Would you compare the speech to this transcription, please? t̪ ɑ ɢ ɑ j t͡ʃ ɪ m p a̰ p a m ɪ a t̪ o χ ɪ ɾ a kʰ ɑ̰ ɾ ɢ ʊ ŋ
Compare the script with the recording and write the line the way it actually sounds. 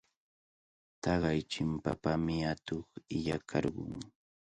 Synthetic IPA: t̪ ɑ ɢ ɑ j t͡ʃ ɪ m p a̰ p a m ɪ a t̪ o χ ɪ ʎ a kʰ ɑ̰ ɾ ɢ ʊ ŋ